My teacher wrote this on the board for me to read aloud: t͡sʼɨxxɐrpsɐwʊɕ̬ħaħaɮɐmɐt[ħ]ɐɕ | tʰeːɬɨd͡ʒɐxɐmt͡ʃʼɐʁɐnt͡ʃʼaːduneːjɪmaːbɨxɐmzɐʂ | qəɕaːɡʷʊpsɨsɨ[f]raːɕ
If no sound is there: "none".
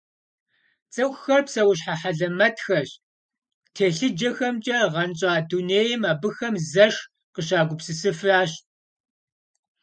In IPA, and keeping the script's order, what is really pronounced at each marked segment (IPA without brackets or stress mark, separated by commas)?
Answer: x, f